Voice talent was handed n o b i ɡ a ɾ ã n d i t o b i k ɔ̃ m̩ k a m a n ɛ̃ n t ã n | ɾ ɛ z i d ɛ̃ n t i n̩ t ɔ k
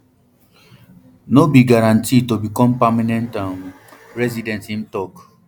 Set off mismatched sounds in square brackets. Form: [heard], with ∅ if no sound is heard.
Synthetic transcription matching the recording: n o b i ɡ a ɾ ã n [t] i t o b i k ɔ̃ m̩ [p] a m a n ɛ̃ n t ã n | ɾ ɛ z i d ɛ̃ n t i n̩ t ɔ k

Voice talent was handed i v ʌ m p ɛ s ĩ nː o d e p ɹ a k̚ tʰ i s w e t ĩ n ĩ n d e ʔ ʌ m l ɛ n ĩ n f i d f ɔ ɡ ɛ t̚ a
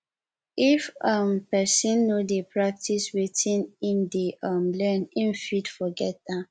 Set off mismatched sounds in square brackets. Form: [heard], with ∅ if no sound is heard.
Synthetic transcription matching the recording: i [f] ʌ m p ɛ s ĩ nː o d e p ɹ a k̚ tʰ i s w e t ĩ n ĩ n d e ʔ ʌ m l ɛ n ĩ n f i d f ɔ ɡ ɛ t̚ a

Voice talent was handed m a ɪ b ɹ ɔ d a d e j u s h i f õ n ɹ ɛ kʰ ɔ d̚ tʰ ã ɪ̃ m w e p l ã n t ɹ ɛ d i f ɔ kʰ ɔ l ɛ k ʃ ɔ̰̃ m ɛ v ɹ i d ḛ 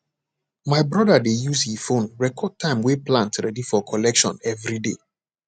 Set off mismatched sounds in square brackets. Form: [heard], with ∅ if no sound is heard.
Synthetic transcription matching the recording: m a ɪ b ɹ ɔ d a d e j u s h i f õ n ɹ ɛ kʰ ɔ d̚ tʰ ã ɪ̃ m w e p l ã n t ɹ ɛ d i f ɔ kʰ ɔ l ɛ k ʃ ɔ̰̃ [n] ɛ v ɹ i d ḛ

